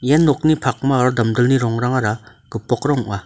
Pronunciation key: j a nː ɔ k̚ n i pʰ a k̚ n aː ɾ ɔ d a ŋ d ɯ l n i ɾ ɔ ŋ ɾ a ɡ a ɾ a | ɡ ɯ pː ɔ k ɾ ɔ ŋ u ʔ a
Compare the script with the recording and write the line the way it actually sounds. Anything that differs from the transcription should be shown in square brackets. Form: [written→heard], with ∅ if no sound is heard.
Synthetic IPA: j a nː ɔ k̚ n i pʰ a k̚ [n→m] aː ɾ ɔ d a [ŋ→m] d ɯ l n i ɾ ɔ ŋ ɾ a [ɡ→ŋ] a ɾ a | ɡ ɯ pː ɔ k ɾ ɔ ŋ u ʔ a